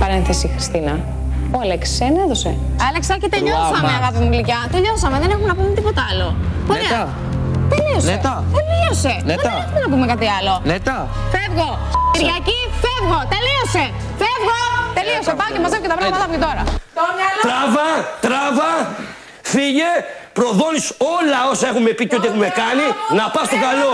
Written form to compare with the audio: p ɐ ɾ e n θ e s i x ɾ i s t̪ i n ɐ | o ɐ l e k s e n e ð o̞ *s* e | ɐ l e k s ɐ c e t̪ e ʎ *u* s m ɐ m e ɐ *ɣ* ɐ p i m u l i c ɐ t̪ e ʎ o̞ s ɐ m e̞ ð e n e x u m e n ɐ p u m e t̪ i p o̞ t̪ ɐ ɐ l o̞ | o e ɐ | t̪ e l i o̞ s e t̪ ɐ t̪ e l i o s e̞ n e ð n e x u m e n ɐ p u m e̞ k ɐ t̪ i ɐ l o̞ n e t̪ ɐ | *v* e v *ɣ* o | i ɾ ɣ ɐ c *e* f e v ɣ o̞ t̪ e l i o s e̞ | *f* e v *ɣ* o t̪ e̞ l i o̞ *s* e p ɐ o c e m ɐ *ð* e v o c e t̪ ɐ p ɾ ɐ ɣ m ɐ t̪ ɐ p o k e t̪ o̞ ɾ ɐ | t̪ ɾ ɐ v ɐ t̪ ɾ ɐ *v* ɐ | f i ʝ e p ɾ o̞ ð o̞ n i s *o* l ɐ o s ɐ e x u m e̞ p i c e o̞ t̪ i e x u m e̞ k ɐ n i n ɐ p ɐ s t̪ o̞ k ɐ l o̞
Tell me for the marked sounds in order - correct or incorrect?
correct, incorrect: o, correct, incorrect: f, correct, incorrect: i, correct, correct, correct, incorrect: z, correct, correct

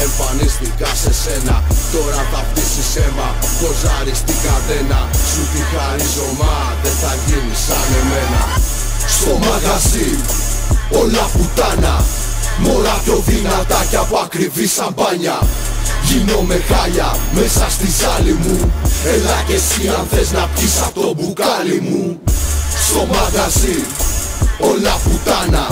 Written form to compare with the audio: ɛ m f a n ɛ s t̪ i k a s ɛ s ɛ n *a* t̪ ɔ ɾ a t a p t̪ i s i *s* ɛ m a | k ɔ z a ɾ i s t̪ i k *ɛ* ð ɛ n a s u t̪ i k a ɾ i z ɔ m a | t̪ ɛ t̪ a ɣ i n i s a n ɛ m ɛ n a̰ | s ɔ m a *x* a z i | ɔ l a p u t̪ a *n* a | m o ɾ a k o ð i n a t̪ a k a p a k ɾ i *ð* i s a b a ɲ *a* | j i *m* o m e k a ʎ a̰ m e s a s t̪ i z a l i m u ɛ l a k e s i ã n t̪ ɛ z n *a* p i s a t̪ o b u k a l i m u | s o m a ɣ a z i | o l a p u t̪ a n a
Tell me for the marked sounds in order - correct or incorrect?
correct, correct, incorrect: a, incorrect: ɣ, correct, incorrect: v, correct, incorrect: n, correct

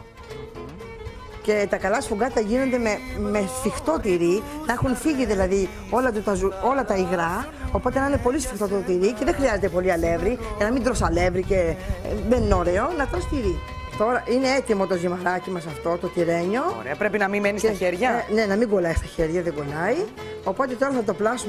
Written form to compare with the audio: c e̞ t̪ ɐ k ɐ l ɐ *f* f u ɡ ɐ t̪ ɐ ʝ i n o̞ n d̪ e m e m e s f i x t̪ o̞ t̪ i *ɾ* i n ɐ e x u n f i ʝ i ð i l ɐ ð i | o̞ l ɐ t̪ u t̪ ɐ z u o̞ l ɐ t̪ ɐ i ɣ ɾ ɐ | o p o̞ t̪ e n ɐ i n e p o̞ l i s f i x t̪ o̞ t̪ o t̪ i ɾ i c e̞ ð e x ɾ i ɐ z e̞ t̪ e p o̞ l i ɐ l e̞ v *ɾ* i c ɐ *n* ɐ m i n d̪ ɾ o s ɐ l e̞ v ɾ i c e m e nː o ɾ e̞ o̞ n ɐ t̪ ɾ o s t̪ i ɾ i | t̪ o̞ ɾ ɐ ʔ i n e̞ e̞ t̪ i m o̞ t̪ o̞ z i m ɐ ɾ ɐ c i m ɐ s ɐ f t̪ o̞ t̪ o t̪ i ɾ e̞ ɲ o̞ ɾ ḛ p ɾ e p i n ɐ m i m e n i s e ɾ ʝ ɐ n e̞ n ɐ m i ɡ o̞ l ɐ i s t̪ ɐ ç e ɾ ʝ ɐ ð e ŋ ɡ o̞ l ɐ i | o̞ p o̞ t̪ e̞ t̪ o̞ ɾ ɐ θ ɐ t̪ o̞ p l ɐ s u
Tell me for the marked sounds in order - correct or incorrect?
incorrect: s, correct, correct, correct

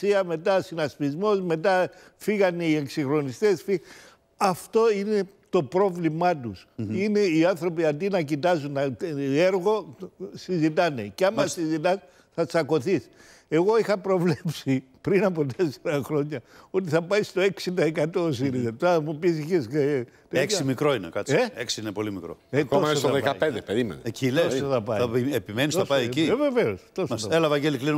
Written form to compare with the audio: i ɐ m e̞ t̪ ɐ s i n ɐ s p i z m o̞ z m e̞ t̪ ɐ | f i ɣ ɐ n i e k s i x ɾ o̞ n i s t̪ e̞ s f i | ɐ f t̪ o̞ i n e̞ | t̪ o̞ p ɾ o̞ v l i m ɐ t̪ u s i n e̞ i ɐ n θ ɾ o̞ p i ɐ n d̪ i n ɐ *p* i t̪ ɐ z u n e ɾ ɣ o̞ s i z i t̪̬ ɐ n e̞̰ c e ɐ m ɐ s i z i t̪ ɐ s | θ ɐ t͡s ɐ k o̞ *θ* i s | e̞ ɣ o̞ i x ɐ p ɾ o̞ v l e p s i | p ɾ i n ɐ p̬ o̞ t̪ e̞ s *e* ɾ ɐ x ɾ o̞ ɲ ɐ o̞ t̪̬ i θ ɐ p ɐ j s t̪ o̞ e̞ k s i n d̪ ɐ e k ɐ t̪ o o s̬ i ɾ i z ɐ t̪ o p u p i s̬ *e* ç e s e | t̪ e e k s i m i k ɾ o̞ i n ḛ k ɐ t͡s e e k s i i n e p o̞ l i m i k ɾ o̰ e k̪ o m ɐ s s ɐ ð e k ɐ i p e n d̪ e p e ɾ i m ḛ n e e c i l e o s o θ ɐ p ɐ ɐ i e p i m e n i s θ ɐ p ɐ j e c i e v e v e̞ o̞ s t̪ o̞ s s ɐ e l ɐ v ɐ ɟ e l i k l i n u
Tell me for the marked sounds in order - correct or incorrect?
incorrect: c, correct, correct, incorrect: i

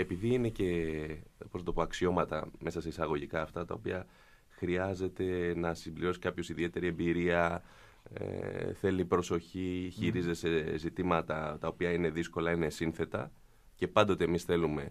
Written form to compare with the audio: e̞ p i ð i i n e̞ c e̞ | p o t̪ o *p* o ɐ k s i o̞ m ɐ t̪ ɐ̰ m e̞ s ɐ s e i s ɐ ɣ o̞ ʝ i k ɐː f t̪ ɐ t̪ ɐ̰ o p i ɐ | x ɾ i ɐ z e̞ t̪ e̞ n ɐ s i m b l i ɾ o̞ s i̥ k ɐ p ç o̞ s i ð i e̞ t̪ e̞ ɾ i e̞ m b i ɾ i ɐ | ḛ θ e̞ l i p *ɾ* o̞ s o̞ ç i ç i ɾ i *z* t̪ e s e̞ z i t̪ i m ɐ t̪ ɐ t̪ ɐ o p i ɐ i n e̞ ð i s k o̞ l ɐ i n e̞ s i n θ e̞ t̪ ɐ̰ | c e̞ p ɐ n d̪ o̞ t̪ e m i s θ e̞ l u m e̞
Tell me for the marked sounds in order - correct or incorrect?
correct, correct, correct

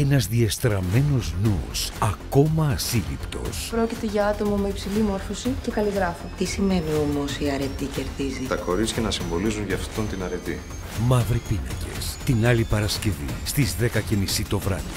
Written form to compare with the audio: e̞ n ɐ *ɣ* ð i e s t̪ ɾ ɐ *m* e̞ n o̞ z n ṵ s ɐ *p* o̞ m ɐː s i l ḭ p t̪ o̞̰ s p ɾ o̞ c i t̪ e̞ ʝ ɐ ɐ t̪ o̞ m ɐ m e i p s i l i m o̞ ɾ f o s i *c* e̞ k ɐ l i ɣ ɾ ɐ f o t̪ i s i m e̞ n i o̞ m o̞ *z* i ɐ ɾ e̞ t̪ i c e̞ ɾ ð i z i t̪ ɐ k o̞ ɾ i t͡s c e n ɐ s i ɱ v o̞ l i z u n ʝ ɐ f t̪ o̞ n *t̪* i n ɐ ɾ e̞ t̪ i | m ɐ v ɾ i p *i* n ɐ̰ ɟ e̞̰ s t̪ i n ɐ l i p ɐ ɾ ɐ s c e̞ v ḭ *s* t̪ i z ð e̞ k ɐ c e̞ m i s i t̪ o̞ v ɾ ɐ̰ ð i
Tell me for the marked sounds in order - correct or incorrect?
incorrect: z, correct, incorrect: k, correct, incorrect: s, correct, correct, correct

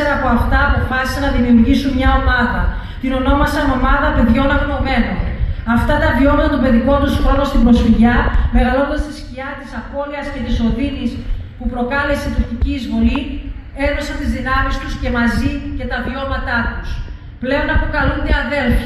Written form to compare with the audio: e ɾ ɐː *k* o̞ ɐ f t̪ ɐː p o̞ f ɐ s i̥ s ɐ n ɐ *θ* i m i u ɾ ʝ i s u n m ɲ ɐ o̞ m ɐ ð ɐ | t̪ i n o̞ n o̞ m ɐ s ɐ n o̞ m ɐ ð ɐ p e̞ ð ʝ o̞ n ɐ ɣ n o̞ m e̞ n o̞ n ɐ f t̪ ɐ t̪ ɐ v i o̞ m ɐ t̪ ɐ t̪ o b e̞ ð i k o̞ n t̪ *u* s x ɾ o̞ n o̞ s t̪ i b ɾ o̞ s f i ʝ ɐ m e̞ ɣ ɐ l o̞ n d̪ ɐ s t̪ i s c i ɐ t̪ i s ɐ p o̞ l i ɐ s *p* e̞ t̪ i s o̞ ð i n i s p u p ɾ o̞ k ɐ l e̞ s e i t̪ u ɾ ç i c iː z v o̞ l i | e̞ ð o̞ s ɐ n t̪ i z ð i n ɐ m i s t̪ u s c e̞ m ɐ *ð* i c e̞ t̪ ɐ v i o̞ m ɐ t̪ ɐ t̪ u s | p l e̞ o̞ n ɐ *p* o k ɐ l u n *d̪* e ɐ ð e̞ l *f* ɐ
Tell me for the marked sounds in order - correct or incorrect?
incorrect: p, incorrect: ð, correct, incorrect: c, incorrect: z, correct, correct, correct

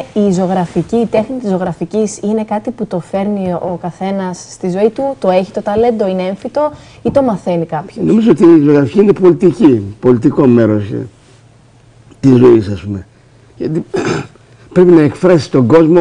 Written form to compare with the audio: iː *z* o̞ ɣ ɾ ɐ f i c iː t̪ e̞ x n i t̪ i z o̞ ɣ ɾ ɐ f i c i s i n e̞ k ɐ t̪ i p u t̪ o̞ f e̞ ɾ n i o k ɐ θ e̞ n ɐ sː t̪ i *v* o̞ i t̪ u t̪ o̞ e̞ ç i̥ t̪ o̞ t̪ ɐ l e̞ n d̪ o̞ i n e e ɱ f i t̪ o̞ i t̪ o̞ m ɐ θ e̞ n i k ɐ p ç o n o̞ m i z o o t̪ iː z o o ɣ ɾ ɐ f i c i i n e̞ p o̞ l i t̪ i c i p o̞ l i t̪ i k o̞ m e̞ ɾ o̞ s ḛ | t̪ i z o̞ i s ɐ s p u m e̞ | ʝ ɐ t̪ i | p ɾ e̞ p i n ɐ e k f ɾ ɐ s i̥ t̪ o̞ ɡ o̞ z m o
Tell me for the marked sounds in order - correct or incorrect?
correct, incorrect: z

